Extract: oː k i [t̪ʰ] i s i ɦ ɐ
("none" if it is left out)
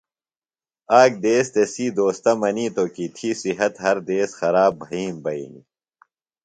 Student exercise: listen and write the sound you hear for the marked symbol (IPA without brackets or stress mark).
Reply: t̪ʰ